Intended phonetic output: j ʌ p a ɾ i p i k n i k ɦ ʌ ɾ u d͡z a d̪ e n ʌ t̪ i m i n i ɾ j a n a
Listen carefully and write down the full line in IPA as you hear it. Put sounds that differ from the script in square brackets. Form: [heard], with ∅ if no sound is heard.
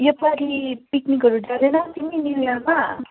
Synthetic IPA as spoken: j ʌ p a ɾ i p i k n i k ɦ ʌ ɾ u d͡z a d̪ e n ʌ t̪ i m i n i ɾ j a [m] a